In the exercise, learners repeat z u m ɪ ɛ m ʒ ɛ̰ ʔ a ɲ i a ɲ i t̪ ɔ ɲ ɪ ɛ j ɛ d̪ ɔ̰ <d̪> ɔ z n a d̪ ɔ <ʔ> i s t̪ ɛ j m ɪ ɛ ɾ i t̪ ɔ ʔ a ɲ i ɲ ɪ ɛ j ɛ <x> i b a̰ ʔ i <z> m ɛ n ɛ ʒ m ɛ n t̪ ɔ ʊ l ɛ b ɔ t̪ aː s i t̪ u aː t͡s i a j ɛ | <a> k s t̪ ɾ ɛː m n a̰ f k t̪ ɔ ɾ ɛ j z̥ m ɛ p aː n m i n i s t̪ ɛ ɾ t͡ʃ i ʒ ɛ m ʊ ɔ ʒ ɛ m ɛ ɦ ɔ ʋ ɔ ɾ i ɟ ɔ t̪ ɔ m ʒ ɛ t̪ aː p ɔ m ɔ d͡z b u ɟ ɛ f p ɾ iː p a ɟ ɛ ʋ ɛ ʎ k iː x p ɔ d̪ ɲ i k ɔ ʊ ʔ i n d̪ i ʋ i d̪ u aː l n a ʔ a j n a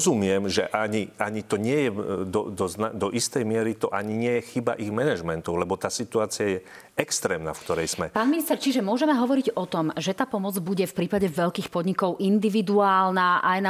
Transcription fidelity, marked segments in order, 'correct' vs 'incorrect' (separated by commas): correct, correct, correct, incorrect, incorrect